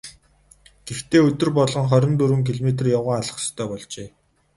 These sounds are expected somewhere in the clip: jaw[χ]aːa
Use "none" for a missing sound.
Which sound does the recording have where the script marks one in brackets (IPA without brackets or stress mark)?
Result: ʁ